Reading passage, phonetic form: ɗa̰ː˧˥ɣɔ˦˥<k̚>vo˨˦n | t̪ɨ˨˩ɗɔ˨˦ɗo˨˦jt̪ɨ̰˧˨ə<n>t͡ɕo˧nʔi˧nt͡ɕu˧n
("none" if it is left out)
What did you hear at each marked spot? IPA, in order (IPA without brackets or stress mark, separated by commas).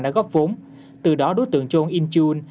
p̚, ŋ